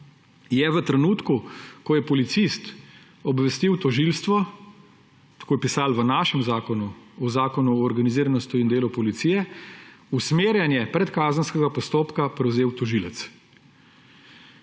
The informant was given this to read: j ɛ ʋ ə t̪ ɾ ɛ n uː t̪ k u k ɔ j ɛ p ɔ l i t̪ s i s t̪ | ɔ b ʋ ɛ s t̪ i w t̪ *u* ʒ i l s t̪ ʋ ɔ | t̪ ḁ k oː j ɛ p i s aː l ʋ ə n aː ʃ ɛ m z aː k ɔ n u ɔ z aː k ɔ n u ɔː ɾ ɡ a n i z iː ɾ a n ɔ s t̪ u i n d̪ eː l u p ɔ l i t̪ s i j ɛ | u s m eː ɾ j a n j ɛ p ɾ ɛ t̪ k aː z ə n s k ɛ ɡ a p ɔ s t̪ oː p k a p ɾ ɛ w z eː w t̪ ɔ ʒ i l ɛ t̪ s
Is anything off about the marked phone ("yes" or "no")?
yes